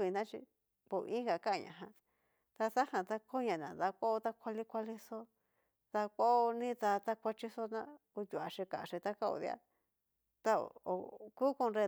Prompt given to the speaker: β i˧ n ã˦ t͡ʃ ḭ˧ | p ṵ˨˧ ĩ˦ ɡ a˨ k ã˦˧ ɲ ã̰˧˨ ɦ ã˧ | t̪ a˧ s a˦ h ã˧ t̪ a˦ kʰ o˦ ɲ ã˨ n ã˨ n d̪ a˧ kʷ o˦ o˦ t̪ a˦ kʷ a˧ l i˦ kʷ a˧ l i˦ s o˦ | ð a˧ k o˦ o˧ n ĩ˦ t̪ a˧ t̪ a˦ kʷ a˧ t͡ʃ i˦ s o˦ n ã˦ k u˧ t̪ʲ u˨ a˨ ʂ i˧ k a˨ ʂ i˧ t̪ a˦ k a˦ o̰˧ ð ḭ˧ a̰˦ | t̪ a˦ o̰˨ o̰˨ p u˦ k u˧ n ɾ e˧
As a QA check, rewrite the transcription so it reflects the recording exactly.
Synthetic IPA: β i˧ n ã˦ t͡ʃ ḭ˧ | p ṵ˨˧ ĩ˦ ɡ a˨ k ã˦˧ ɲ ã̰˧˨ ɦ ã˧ | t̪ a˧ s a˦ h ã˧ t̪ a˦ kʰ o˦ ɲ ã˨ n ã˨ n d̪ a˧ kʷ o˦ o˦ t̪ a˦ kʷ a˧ l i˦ kʷ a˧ l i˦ s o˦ | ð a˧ k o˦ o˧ n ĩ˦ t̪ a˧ t̪ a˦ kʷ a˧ t͡ʃ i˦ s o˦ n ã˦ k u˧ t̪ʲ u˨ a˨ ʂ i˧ k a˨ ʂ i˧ t̪ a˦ k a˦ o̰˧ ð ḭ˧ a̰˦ | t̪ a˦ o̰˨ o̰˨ k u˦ k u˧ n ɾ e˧